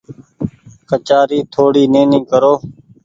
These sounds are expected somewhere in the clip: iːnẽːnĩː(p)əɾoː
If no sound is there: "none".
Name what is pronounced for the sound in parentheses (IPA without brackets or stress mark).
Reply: k